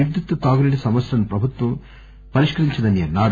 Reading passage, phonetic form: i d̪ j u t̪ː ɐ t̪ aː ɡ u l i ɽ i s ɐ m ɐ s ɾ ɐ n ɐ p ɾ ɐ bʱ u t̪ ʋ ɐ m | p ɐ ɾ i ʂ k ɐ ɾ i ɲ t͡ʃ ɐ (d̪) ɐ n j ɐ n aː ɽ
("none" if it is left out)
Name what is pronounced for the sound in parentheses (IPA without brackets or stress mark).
d̪